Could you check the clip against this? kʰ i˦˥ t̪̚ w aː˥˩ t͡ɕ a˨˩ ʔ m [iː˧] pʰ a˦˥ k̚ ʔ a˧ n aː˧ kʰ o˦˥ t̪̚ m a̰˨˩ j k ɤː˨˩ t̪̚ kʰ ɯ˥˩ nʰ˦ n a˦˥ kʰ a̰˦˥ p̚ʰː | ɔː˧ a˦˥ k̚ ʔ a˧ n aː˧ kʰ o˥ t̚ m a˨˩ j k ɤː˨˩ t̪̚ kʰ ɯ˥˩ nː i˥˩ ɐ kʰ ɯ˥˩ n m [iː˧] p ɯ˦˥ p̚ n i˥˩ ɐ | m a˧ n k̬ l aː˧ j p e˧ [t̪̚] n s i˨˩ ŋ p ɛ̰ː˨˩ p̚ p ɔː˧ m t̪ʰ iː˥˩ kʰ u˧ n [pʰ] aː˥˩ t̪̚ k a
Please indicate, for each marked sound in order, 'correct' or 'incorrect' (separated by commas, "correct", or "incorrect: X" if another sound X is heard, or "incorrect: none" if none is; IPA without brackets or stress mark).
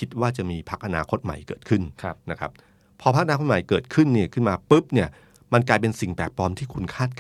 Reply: correct, incorrect: aː˧, incorrect: none, incorrect: kʰ